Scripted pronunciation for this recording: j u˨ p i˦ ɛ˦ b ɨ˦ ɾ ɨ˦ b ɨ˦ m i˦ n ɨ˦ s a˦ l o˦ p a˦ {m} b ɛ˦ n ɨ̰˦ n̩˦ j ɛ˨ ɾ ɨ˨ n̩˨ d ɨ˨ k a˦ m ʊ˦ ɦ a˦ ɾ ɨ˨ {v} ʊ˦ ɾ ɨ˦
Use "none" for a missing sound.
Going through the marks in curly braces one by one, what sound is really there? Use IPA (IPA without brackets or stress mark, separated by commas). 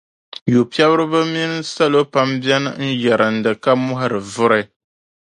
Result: m, v